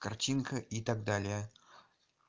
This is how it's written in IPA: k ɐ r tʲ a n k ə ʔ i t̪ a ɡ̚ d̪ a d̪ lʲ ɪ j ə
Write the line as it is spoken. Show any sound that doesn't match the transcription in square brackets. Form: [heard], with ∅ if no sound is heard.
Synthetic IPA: k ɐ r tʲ [i] n k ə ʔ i t̪ a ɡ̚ d̪ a [∅] lʲ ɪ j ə